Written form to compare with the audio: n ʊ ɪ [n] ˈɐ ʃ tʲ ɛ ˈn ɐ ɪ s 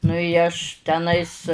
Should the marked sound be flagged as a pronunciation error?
yes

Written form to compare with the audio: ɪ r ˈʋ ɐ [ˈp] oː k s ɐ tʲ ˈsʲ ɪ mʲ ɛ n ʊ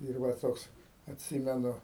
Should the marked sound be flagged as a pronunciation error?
yes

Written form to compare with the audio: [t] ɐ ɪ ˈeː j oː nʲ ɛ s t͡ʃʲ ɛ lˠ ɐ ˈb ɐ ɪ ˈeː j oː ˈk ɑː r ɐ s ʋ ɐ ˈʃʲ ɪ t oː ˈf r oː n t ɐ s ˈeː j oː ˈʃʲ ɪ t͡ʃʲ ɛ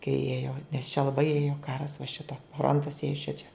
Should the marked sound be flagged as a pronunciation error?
yes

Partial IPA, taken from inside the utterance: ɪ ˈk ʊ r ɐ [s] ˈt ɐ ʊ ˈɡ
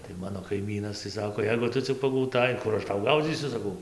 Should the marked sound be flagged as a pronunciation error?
yes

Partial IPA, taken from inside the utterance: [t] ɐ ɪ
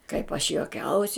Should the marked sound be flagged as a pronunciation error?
yes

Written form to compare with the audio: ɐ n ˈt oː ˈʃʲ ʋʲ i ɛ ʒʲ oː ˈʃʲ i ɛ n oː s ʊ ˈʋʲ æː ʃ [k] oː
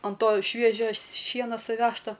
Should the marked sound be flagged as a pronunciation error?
yes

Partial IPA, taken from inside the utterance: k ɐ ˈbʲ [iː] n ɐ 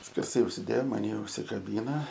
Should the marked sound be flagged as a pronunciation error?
no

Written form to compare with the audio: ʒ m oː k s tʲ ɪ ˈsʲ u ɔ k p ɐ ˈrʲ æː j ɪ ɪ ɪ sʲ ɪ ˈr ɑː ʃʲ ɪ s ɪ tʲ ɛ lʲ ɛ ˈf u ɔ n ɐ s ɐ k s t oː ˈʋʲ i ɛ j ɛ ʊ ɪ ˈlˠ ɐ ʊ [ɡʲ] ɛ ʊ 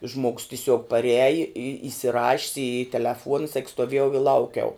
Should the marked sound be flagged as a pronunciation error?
yes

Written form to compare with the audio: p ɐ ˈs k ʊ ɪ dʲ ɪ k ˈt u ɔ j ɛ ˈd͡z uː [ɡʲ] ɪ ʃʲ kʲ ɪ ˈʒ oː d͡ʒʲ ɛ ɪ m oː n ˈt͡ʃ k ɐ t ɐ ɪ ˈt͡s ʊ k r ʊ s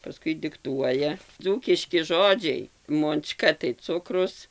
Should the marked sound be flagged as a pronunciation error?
yes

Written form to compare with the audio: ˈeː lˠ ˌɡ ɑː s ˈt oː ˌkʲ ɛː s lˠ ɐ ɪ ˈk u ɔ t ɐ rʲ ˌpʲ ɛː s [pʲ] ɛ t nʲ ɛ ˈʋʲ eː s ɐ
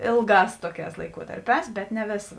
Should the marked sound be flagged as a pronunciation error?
yes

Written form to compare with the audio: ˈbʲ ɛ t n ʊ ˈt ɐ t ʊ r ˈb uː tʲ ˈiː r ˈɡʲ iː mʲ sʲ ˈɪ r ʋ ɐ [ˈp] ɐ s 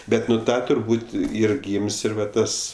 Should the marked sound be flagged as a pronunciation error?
yes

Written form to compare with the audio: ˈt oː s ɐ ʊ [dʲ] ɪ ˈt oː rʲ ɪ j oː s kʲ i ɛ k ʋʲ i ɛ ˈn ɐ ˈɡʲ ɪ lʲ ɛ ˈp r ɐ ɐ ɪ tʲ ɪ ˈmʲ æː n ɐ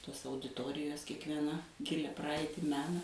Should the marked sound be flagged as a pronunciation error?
no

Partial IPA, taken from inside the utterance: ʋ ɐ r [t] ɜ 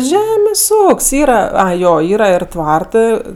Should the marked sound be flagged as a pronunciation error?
no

